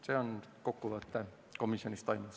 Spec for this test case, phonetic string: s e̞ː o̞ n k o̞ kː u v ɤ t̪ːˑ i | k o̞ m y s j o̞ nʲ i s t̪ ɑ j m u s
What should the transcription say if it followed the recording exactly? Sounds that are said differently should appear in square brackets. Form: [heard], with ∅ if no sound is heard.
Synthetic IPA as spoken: s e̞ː o̞ n k o̞ kː u v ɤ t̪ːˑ [e] | k o̞ m [i] s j o̞ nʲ i s t̪ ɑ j m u s